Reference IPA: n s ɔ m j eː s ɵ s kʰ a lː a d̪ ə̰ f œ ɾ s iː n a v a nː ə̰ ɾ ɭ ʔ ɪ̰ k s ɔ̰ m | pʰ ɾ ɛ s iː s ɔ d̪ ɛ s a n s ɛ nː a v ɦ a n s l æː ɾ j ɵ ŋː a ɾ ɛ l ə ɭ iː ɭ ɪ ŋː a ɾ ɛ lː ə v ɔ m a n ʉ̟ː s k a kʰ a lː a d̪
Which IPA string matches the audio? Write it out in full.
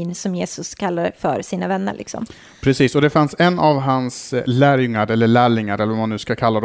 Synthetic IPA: n s ɔ m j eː s ɵ s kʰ a lː a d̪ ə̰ f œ ɾ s iː n a v ɛ nː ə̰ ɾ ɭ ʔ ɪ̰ k s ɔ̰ m | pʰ ɾ ɛ s iː s ɔ d̪ ɛ f a n s ɛ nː a v ɦ a n s l æː ɾ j ɵ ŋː a ɾ ɛ lː ə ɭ æː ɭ ɪ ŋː a ɾ ɛ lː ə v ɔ m a n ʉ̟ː s k a kʰ a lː a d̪